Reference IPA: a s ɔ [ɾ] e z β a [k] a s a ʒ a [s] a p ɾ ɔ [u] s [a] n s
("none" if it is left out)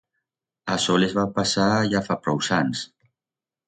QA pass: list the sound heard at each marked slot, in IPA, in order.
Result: l, p, f, w, a

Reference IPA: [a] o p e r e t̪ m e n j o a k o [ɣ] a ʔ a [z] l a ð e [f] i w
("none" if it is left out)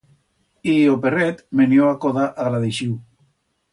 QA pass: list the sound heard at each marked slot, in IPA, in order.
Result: i, ð, ɣ, ʃ

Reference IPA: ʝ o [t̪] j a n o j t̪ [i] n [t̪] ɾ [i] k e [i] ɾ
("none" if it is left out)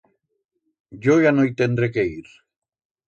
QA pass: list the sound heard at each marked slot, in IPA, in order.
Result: none, e, d̪, e, i

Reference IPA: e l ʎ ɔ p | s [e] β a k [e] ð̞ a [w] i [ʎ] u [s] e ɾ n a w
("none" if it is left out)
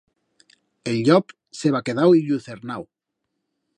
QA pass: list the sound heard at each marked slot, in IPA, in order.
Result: e, e, w, ʎ, θ

